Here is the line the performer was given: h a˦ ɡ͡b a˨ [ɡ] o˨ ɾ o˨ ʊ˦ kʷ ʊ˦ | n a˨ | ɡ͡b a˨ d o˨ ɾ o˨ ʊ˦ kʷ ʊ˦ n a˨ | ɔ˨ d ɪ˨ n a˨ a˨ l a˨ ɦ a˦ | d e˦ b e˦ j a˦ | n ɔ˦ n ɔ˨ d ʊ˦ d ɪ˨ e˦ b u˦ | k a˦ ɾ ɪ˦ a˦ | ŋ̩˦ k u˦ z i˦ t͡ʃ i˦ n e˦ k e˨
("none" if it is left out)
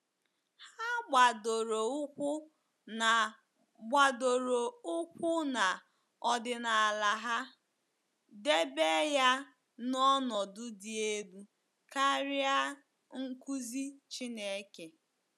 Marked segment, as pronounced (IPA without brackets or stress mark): d